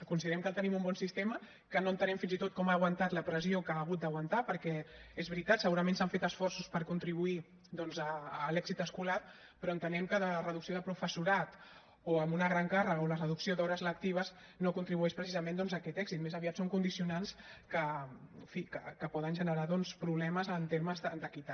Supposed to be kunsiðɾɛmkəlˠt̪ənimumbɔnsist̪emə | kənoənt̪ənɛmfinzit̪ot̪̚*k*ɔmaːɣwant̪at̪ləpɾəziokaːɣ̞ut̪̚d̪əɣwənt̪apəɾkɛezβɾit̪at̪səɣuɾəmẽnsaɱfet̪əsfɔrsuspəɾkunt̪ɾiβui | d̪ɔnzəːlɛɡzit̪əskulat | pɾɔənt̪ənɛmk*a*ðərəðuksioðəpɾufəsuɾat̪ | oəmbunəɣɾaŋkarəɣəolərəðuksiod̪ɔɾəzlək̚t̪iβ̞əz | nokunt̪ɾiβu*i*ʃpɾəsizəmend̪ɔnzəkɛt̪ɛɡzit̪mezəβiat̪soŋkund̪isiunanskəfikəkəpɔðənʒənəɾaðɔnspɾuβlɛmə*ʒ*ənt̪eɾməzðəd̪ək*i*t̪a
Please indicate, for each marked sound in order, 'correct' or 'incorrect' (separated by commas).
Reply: correct, incorrect, incorrect, incorrect, correct